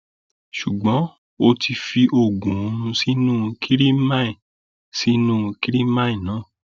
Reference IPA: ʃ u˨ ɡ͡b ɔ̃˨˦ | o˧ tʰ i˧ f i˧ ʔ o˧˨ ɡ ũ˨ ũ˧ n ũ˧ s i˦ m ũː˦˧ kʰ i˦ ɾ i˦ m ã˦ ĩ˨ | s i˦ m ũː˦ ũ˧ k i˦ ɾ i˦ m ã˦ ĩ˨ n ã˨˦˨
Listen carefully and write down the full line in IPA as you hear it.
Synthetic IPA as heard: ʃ u˨ ɡ͡b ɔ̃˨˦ | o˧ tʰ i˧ f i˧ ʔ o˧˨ ɡ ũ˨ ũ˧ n ũ˧ s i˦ n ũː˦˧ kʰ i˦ ɾ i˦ m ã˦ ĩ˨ | s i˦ n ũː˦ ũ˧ k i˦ ɾ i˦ m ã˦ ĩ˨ n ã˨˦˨

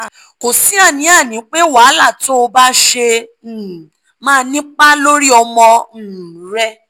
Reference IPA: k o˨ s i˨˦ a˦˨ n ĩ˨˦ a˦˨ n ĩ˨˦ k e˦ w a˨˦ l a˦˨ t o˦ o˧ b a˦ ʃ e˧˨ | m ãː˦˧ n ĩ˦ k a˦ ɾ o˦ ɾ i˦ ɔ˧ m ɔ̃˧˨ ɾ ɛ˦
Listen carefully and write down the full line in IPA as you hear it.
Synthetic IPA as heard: k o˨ s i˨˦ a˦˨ n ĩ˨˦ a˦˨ n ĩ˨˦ k͡p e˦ w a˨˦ l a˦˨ t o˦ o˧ b a˦ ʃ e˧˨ | m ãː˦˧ n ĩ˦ k͡p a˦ l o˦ ɾ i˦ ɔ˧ m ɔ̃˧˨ ɾ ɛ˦

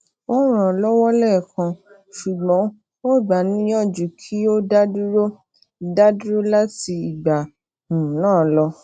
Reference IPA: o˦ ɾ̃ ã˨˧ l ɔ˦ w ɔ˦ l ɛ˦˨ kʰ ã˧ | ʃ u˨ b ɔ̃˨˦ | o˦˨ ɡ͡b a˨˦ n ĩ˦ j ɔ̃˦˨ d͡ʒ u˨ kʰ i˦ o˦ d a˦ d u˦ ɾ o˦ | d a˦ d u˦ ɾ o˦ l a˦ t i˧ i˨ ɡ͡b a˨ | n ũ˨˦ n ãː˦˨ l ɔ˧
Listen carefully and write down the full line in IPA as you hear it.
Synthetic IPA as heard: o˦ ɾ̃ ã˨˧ l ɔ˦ w ɔ˦ l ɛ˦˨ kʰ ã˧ | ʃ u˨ ɡ͡b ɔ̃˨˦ | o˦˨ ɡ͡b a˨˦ n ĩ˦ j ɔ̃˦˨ d͡ʒ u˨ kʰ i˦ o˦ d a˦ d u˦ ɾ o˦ | d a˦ d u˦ ɾ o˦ l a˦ t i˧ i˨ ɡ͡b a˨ | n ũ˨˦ n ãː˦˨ l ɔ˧

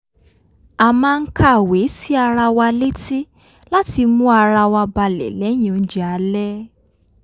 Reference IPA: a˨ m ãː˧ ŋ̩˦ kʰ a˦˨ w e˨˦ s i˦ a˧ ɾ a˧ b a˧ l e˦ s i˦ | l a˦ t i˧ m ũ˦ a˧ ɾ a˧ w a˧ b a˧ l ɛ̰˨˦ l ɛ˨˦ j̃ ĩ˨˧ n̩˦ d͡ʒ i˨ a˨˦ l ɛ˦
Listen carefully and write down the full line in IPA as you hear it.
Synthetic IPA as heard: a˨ m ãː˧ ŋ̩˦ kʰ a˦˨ w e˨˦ s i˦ a˧ ɾ a˧ w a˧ l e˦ t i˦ | l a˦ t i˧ m ũ˦ a˧ ɾ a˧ w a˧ b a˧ l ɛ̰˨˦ l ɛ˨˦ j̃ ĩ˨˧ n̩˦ d͡ʒ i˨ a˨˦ l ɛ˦

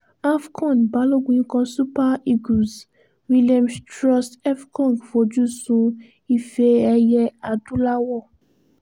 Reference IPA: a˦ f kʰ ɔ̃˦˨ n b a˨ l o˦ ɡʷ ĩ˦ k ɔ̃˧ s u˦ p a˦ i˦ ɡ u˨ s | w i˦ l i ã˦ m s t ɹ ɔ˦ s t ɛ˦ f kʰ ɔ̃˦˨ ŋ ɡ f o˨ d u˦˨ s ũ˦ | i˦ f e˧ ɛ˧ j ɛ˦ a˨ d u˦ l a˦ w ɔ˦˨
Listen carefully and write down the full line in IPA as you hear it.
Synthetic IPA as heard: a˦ f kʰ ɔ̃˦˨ n b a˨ l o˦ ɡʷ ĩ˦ k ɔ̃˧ s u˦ p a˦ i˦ ɡ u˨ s | w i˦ l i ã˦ m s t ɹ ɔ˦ s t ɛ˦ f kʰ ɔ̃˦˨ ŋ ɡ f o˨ d͡ʒ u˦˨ s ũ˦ | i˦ f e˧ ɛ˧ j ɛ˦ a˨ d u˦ l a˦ w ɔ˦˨

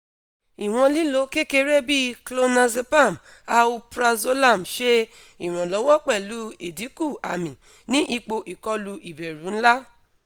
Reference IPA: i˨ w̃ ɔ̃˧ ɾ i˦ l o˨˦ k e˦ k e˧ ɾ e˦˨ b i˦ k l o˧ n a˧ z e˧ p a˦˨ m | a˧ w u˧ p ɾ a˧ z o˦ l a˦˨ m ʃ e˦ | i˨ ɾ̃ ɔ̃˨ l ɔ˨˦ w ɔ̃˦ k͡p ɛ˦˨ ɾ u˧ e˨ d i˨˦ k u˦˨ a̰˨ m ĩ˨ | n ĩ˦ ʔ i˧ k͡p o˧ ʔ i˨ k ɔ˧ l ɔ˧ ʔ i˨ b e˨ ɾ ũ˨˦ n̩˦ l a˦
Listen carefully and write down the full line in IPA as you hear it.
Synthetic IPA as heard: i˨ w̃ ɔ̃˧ l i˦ l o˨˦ k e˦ k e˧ ɾ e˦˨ b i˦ k l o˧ n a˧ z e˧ p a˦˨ m | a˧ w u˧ p ɾ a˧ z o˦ l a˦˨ m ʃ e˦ | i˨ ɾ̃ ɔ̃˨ l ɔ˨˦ w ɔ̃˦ k͡p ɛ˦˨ l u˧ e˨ d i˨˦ k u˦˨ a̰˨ m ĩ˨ | n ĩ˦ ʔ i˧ k͡p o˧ ʔ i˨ k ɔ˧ l u˧ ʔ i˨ b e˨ ɾ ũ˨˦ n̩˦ l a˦

